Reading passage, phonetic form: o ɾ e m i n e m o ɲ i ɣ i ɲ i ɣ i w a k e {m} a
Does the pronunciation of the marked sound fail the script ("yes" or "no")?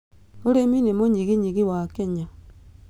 yes